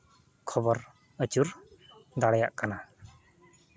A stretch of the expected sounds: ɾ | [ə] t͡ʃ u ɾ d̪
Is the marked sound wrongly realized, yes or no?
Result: no